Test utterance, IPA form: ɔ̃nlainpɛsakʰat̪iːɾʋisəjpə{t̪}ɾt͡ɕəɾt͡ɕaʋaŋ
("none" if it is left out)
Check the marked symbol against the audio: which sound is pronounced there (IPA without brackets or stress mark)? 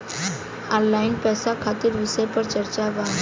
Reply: none